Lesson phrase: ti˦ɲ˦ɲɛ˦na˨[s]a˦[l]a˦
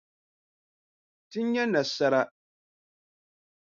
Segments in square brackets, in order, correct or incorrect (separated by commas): correct, incorrect